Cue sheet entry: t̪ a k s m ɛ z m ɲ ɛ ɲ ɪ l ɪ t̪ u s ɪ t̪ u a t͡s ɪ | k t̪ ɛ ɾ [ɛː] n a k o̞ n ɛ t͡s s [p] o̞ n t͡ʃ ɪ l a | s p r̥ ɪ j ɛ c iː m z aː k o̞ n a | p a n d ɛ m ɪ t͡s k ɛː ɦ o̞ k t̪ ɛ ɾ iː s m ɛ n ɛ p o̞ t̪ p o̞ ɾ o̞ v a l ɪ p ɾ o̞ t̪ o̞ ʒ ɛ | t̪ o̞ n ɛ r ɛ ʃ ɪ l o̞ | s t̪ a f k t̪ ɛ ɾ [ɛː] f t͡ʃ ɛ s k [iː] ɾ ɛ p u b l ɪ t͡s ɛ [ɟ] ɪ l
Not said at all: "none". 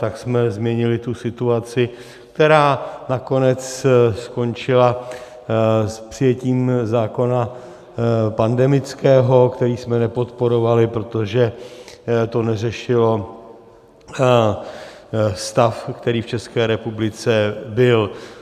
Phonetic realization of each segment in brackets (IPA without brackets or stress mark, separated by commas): aː, k, iː, ɛː, b